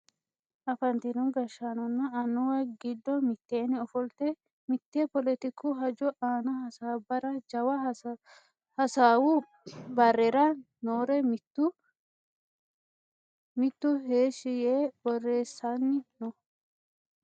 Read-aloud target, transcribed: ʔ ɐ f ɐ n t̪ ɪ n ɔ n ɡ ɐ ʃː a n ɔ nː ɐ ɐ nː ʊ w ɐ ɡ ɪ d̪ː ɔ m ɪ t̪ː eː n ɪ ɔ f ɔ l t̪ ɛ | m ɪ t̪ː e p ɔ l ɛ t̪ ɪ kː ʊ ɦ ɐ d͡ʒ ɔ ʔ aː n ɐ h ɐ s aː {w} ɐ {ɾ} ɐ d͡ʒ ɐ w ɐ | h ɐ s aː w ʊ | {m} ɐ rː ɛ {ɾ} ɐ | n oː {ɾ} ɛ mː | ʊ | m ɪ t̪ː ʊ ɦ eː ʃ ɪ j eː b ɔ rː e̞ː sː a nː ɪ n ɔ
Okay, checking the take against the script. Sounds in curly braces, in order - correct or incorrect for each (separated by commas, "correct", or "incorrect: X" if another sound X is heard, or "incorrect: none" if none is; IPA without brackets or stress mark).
incorrect: b, correct, incorrect: b, correct, correct